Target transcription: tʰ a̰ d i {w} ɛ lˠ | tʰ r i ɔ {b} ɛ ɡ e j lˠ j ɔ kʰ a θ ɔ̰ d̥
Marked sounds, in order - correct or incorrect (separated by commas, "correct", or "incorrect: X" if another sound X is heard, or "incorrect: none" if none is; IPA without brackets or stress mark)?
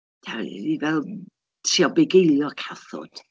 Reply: incorrect: v, correct